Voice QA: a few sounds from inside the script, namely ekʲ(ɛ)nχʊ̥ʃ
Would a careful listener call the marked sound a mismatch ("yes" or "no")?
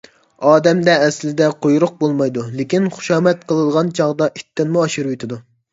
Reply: yes